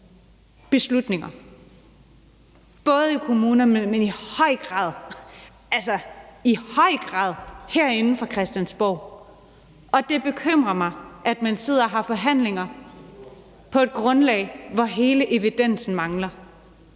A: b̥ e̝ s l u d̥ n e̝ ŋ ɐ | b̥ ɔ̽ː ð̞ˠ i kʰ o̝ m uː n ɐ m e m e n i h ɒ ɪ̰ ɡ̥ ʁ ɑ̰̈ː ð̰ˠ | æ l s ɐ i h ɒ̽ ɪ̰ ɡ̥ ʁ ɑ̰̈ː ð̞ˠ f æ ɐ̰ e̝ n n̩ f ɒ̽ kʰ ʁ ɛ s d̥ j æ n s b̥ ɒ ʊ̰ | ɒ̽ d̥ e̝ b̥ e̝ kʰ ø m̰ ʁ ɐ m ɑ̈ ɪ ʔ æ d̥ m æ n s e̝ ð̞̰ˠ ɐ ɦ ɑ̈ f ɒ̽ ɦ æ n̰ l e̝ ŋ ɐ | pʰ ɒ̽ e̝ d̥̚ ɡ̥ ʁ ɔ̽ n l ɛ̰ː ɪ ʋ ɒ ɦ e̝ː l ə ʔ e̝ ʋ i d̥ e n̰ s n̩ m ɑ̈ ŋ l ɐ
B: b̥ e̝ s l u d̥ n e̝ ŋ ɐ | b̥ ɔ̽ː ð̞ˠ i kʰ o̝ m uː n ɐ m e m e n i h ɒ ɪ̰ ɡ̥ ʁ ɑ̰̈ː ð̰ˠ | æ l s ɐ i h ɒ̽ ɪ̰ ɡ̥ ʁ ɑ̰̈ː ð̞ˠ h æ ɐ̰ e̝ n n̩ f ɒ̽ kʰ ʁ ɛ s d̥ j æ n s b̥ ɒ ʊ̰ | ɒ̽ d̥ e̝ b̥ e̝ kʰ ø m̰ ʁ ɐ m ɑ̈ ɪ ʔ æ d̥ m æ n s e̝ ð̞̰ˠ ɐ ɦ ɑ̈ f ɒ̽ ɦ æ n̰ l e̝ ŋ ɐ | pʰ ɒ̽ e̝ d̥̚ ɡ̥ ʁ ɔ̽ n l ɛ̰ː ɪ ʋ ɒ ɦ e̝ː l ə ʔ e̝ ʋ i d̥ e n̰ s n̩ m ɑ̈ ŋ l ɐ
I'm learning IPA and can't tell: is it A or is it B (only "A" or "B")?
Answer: B